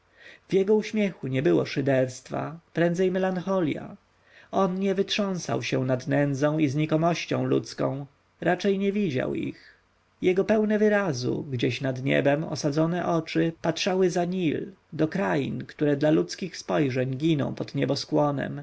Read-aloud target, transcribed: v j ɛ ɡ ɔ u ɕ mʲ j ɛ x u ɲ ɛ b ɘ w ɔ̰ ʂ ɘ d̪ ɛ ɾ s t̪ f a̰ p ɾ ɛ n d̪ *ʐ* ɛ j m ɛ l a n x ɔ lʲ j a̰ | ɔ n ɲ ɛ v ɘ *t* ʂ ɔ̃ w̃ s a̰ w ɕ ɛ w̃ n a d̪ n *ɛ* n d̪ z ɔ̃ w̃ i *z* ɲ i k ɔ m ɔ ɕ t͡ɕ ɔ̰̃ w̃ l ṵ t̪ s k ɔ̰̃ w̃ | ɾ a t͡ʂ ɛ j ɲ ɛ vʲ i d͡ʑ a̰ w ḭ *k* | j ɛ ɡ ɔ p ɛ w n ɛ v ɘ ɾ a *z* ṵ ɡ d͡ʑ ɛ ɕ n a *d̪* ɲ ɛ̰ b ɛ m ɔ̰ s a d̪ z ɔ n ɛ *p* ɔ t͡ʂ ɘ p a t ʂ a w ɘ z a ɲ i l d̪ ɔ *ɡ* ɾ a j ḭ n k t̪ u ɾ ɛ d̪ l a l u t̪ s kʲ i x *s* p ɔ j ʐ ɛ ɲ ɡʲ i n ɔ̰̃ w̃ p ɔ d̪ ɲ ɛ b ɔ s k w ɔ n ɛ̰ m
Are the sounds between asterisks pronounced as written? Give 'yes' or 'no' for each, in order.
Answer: no, yes, yes, yes, no, yes, yes, no, no, yes

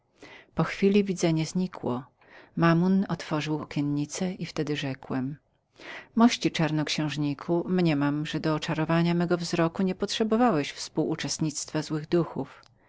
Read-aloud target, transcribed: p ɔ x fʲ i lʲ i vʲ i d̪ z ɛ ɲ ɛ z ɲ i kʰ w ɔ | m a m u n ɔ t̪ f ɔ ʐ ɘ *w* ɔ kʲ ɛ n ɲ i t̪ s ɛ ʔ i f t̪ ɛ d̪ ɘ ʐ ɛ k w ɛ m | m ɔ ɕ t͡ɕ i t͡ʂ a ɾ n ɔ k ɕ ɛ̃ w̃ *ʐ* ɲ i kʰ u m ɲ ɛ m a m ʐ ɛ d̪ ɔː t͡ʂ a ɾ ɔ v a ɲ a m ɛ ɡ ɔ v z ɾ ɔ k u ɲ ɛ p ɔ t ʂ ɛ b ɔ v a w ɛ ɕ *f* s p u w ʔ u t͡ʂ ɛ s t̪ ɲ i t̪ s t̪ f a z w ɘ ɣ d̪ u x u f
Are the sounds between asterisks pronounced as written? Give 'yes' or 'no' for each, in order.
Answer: yes, yes, yes

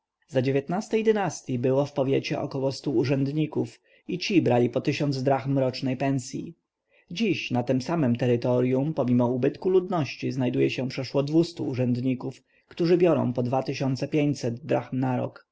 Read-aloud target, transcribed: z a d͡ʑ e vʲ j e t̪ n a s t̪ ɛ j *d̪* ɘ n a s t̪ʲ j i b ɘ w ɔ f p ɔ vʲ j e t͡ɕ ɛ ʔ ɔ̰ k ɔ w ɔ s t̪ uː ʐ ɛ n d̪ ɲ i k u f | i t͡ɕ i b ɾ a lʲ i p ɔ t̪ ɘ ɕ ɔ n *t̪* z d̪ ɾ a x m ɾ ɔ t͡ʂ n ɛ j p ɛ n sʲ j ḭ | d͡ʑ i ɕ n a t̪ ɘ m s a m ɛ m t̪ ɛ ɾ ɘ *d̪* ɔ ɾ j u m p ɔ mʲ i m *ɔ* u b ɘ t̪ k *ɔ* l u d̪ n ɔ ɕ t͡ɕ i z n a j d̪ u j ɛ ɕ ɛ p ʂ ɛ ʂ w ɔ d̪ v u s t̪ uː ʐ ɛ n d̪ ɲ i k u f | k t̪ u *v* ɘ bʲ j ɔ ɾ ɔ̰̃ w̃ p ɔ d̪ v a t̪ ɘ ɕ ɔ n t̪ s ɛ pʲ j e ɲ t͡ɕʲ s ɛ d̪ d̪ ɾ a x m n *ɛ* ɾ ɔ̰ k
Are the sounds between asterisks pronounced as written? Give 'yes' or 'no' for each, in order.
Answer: yes, no, no, yes, no, no, no

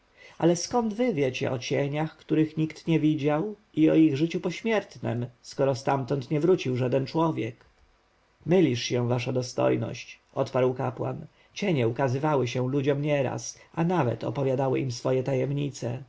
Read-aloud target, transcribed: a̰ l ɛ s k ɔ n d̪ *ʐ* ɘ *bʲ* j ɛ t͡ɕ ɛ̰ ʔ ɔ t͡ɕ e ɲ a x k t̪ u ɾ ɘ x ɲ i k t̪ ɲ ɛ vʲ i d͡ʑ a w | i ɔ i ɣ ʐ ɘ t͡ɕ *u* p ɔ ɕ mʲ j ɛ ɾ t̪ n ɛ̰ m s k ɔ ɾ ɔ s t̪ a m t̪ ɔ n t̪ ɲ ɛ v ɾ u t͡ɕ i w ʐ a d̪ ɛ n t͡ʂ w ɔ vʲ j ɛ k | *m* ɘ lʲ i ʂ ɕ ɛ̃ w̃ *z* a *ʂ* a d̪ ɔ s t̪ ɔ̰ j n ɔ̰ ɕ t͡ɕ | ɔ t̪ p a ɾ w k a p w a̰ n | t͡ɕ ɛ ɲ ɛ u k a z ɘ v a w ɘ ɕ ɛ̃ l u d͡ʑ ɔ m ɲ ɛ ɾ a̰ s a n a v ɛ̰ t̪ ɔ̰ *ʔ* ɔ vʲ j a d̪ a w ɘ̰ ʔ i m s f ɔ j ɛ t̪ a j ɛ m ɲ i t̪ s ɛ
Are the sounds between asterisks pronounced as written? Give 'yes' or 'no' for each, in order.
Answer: no, no, yes, yes, no, yes, no

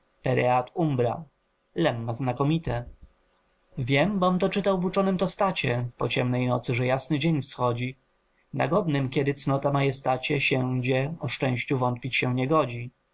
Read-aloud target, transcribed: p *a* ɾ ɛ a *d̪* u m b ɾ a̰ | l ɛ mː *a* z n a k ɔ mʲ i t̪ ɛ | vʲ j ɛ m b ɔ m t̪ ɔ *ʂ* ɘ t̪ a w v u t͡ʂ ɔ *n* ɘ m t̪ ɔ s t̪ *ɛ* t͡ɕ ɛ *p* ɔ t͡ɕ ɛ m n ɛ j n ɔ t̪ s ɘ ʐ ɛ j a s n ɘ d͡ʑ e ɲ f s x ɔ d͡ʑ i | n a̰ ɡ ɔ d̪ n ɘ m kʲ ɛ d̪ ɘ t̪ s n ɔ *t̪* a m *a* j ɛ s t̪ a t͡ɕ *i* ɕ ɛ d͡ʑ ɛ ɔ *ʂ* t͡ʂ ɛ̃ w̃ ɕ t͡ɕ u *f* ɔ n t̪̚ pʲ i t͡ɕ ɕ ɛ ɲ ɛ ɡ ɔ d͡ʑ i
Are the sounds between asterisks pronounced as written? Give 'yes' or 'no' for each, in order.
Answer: no, no, yes, no, yes, no, yes, yes, yes, no, yes, no

